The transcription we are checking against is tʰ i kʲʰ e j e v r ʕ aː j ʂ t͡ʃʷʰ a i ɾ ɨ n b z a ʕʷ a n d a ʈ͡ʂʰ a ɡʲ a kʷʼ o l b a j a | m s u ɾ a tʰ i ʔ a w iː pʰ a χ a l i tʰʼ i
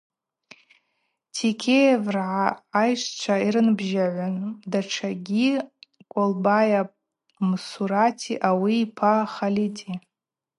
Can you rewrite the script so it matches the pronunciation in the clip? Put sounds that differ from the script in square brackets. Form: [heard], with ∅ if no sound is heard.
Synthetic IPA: tʰ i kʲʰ e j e v r ʕ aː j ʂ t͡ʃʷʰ a i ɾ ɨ n b [ʒ] a ʕʷ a n d a ʈ͡ʂʰ a ɡʲ [i] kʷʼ o l b a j a | m s u ɾ a tʰ i ʔ a w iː pʰ a χ a l i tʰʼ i